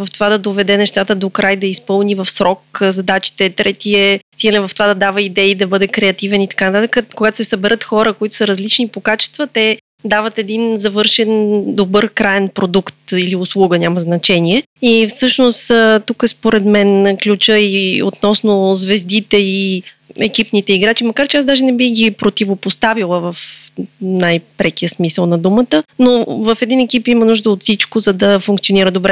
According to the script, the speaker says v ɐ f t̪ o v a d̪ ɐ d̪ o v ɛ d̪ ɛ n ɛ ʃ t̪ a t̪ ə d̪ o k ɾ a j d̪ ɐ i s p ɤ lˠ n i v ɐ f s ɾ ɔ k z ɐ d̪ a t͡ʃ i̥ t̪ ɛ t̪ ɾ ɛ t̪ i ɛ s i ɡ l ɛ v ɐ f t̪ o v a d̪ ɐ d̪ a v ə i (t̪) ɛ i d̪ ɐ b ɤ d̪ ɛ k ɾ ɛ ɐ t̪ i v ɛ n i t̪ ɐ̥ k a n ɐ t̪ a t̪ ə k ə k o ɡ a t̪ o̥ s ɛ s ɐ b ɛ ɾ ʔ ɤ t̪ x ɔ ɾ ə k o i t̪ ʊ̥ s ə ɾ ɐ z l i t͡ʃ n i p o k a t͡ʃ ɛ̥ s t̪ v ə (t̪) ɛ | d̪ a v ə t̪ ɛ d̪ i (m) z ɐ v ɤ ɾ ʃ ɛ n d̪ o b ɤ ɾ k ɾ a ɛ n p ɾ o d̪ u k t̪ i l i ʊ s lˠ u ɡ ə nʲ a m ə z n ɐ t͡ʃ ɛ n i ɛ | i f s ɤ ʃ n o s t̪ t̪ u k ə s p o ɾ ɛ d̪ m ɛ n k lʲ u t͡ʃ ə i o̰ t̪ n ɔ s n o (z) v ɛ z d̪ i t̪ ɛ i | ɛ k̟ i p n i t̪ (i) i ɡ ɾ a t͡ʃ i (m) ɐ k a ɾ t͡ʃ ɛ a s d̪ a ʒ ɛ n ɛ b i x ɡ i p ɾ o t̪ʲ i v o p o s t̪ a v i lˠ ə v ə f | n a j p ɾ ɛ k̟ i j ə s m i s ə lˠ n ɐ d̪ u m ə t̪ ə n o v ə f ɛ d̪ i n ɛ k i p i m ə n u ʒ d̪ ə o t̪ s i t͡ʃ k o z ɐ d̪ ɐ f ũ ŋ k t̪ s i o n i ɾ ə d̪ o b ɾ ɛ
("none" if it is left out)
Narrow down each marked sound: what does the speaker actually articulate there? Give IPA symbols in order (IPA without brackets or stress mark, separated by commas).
d̪, t̪, n, z, ɛ, m